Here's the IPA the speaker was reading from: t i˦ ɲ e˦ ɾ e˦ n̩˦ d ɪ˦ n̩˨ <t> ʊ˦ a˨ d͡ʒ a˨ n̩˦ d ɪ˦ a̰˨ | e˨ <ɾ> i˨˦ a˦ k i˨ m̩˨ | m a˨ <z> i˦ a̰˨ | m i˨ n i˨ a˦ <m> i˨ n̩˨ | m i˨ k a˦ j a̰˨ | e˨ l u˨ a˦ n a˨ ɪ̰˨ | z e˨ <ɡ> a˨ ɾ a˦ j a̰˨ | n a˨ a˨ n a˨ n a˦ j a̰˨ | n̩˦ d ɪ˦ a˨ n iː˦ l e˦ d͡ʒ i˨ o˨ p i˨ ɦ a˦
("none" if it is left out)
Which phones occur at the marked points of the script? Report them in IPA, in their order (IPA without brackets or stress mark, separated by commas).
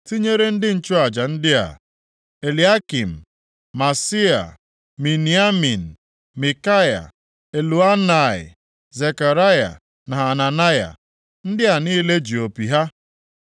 t͡ʃ, l, s, m, k